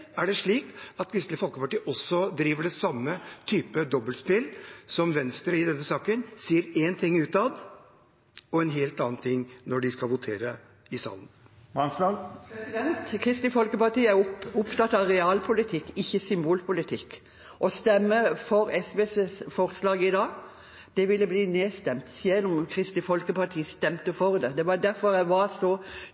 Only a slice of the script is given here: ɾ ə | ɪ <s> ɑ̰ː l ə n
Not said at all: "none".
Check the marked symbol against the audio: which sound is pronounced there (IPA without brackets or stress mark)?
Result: s